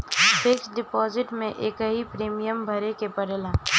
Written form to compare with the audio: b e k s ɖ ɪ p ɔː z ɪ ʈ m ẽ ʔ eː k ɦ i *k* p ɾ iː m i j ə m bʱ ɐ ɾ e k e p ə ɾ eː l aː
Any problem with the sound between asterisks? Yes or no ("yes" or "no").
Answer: yes